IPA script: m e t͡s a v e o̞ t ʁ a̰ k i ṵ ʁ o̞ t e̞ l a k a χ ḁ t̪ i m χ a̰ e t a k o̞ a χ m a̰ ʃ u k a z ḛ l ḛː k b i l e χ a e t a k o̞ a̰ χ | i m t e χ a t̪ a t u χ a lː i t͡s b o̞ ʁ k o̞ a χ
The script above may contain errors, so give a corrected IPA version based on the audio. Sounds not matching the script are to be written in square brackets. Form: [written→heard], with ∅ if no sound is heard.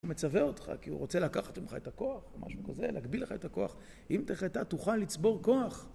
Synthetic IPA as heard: m e t͡s a v e o̞ t [ʁ→χ] a̰ k i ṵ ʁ o̞ [t→t͡s] e̞ l a k a χ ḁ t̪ i m χ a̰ e t a k o̞ a χ m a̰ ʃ u k a z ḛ l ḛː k b i l e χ a e t a k o̞ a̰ χ | i m t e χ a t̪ a t u χ a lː i t͡s b o̞ ʁ k o̞ a χ